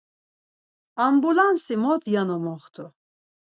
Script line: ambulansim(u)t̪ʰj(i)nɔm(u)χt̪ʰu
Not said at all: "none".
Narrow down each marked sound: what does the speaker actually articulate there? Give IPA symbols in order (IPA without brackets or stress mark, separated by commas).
ɔ, a, ɔ